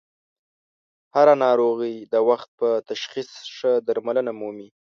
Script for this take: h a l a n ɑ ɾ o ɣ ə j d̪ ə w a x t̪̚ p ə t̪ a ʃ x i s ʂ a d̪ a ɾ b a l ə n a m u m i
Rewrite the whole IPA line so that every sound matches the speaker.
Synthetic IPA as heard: h a ɾ a n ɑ ɾ o ɣ ə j d̪ ə w a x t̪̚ p ə t̪ a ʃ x i s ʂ ə d̪ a ɾ m a l ə n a m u m i